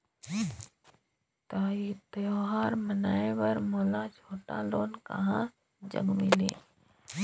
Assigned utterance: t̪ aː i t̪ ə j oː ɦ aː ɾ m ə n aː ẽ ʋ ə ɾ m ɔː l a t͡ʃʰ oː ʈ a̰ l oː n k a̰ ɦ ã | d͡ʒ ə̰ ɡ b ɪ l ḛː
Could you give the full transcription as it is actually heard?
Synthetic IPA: t̪ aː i t̪ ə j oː ɦ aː ɾ m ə n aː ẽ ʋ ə ɾ m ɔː l a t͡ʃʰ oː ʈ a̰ l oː n k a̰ ɦ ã | d͡ʒ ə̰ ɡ m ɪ l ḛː